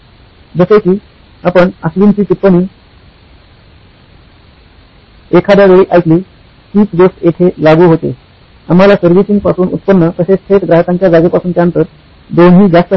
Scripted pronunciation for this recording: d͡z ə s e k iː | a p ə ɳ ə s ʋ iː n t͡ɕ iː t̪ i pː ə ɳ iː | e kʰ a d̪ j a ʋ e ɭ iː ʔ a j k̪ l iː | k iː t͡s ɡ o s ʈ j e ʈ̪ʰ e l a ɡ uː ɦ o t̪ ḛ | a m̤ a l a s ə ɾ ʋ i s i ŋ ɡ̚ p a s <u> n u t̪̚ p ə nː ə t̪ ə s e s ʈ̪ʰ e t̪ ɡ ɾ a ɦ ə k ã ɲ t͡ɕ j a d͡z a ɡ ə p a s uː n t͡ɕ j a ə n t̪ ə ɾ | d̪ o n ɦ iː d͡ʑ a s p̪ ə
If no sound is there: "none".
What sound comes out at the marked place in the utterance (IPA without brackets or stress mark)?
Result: uː